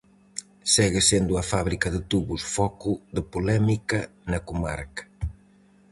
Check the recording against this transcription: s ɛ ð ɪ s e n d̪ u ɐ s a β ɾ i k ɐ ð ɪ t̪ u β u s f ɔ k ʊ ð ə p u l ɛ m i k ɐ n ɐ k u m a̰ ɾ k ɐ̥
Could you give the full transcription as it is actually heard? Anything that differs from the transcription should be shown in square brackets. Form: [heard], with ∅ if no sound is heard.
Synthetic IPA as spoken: s ɛ [ɣ] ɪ s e n d̪ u ɐ [f] a β ɾ i k ɐ ð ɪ t̪ u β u s f ɔ k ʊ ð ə p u l ɛ m i k ɐ n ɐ k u m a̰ ɾ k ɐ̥